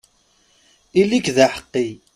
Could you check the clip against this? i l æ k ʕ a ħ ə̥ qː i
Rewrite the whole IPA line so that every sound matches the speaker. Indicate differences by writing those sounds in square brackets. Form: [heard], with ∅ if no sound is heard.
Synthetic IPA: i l [i] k [ð] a ħ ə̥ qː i